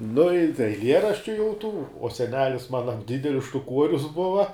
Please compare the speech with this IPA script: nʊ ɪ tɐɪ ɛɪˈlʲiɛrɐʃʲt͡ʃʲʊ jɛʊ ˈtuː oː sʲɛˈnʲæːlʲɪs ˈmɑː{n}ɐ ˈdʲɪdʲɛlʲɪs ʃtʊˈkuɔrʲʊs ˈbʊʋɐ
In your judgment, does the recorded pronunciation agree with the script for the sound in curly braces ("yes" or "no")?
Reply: yes